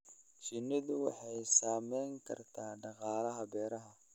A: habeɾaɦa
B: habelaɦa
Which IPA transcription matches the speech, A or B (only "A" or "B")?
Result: A